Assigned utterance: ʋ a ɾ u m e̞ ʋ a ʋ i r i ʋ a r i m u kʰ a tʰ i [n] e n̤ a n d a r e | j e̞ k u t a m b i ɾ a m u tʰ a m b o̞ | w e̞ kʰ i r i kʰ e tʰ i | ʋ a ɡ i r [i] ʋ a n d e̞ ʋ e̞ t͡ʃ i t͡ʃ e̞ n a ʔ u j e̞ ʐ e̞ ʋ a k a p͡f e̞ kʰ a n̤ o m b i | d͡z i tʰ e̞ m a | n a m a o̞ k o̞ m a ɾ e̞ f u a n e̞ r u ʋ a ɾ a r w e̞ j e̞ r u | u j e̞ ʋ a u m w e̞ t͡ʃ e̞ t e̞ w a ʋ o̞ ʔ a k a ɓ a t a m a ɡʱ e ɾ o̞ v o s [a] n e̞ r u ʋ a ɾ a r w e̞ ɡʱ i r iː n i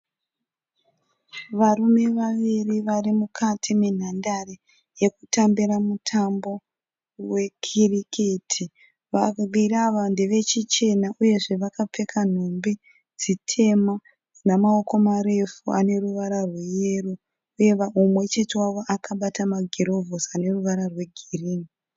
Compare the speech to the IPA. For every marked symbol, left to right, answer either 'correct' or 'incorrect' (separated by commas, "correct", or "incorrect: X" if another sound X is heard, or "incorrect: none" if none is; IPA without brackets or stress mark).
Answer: incorrect: m, incorrect: a, correct